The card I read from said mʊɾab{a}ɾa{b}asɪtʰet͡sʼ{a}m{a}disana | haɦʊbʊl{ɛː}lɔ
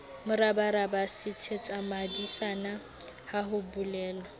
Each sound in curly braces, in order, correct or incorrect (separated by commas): correct, correct, correct, correct, correct